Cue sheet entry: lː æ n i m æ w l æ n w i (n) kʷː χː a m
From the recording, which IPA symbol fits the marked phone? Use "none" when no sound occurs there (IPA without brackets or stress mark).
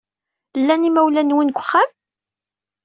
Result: n